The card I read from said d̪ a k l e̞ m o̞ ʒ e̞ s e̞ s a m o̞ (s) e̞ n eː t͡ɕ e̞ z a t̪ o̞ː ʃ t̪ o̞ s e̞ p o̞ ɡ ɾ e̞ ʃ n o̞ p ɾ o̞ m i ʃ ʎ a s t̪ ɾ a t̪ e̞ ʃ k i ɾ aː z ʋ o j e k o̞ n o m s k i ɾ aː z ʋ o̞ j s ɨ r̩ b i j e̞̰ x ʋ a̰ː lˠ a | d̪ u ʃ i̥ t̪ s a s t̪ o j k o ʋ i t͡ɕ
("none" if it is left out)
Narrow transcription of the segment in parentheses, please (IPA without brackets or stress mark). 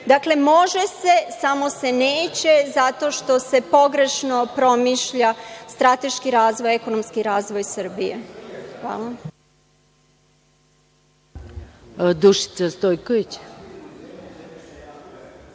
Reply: s